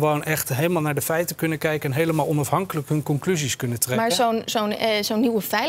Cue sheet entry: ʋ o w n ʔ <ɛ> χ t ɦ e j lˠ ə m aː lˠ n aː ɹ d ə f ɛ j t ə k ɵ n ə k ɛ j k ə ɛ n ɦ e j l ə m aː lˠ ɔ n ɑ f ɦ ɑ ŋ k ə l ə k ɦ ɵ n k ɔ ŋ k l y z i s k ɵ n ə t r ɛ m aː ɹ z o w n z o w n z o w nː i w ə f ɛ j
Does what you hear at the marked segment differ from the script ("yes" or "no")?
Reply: no